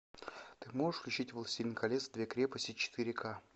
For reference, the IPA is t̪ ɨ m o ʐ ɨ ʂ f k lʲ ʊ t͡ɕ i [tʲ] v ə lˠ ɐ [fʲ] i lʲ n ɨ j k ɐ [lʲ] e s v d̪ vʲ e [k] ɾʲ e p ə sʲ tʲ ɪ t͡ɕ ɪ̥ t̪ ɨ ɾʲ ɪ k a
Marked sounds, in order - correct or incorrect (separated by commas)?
correct, incorrect, correct, correct